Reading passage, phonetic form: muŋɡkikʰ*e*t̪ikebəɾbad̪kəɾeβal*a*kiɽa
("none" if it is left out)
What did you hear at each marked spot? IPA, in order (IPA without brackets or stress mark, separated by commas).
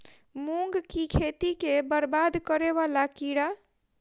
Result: e, a